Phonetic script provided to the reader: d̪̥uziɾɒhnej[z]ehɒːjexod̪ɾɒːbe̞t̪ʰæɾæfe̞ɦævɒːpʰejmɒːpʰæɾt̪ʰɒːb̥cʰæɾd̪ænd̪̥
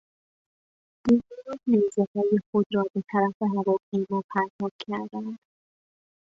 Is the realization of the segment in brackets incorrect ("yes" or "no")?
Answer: no